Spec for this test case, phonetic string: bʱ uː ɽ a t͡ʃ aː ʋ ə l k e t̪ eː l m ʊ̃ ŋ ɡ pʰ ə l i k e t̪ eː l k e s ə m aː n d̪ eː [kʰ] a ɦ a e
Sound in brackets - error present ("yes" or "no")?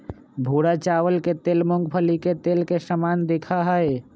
no